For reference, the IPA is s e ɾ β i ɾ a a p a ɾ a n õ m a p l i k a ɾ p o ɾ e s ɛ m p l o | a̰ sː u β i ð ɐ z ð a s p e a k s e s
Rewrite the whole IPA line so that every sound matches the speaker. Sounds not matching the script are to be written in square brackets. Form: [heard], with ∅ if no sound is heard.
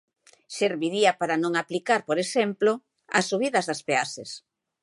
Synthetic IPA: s e ɾ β i ɾ [i] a p a ɾ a n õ [ŋ] a p l i k a ɾ p o ɾ e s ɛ m p l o | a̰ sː u β i ð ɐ z ð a s p e a [∅] s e s